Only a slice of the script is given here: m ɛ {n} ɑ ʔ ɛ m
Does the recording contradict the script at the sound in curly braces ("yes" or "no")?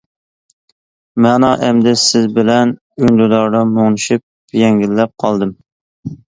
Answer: no